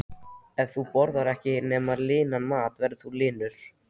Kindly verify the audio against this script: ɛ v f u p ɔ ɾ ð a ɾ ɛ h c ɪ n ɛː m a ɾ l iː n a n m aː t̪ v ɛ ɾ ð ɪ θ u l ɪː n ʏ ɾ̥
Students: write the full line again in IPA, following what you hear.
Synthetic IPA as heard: ɛ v θ u p ɔ ɾ ð a ɾ ɛ h c ɪ n ɛː m a ɾ l ɪː n a n m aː t̪ v ɛ ɾ ð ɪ θ u l ɪː n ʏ ɾ̥

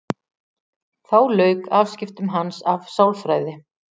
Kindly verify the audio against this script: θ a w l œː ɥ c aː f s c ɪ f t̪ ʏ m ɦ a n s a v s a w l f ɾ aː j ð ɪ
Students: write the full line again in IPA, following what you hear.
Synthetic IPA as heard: θ a w l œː ɥ k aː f s c ɪ f t̪ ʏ m ɦ a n s a v s a w l f ɾ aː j ð ɪ

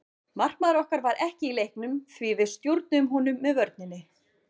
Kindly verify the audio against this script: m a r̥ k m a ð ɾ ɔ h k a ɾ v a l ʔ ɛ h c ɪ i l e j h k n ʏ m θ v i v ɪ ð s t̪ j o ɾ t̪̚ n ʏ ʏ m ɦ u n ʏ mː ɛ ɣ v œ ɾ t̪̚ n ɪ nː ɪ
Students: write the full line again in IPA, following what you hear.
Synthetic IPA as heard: m a r̥ k m a ð ɾ ɔ h k a ɾ v a ɾ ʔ ɛ h c ɪ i l e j h k n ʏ m θ v i v ɪ ð s t̪ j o ɾ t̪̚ n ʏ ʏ m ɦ u n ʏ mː ɛ ð v œ ɾ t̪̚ n ɪ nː ɪ

